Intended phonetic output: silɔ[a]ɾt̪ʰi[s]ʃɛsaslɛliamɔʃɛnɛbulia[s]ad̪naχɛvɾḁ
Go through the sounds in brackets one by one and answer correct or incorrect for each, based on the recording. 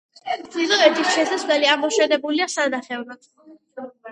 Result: incorrect: ɛ, correct, correct

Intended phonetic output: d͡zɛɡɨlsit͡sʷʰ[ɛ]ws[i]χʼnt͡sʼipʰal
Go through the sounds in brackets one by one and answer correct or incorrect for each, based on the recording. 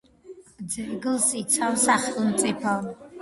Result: incorrect: a, incorrect: a

